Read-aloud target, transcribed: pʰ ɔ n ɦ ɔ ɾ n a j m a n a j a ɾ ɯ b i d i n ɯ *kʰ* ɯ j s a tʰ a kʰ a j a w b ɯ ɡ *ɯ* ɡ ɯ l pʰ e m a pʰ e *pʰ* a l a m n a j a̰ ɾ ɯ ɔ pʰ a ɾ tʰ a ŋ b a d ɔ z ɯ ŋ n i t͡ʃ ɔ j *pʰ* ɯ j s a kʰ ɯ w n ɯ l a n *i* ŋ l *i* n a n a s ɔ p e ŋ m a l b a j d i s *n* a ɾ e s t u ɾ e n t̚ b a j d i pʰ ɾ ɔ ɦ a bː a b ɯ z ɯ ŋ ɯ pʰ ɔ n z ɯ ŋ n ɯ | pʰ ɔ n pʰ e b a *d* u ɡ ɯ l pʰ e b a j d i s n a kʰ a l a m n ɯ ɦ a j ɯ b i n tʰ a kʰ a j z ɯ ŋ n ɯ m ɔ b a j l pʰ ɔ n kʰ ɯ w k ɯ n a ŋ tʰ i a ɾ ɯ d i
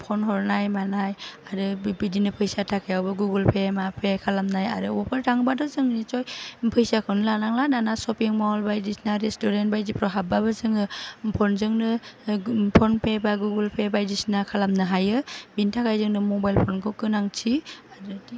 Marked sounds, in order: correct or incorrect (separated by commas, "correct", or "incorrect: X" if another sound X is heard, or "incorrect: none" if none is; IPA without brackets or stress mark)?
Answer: incorrect: pʰ, incorrect: u, incorrect: kʰ, correct, incorrect: a, incorrect: a, correct, incorrect: ɡ